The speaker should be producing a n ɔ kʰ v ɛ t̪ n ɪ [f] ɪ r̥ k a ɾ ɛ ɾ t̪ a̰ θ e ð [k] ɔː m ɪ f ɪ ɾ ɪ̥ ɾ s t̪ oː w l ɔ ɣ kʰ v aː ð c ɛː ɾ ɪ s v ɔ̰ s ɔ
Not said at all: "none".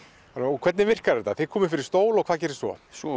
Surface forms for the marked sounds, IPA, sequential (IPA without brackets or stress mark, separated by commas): v, kʰ